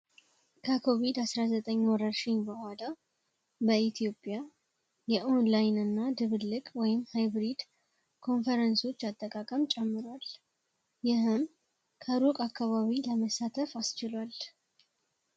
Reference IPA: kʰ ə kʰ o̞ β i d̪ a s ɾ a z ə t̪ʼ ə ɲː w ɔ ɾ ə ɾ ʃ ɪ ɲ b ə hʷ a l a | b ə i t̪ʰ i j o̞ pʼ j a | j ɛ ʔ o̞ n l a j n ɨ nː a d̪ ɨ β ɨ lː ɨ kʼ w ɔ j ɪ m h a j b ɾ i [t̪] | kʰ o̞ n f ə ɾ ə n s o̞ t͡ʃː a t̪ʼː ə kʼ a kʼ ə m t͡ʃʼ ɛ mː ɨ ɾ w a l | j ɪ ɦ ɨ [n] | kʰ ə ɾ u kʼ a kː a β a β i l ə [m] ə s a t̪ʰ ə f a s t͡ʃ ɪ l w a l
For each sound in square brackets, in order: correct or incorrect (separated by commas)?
incorrect, incorrect, correct